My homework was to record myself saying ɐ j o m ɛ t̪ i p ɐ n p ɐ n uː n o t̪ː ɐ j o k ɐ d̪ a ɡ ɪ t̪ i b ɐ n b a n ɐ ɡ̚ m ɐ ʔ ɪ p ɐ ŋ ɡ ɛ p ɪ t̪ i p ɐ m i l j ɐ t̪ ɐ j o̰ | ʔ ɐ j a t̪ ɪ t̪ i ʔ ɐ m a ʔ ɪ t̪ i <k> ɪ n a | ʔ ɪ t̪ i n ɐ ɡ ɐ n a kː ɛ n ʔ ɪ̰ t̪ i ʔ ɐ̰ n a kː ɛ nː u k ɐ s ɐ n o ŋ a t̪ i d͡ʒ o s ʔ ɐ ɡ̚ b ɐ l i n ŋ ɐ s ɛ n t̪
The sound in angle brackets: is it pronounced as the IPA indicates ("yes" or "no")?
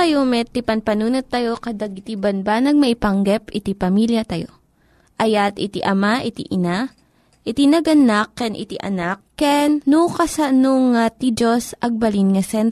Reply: no